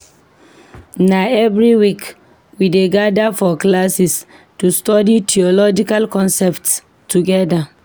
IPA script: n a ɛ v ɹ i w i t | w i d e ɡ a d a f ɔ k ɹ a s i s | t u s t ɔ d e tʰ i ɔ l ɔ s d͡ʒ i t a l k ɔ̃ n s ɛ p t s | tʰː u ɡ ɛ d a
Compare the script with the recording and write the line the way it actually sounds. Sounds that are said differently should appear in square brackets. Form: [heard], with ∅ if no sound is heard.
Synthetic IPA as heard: n a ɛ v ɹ i w i [k] | w i d e ɡ a d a f ɔ k [l] a s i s | t u s t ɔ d [i] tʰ i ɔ l ɔ [∅] d͡ʒ i [k] a l k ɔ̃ n s ɛ p t s | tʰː u ɡ ɛ d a